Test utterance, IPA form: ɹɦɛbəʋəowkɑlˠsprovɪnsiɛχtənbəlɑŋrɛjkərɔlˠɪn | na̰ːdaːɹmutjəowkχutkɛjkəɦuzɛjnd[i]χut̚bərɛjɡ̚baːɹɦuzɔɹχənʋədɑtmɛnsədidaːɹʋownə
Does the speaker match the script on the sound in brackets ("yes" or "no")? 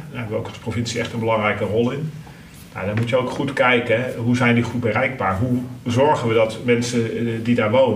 yes